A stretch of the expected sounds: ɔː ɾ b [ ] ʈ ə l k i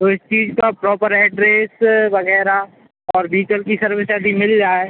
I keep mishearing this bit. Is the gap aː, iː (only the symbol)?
iː